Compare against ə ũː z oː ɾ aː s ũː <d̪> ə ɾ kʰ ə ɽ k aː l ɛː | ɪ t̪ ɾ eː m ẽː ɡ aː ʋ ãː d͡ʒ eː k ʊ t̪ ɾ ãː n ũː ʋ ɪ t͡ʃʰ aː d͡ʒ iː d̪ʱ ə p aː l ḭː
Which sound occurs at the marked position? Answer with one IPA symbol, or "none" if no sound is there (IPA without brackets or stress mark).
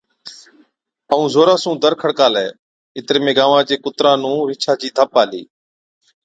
d̪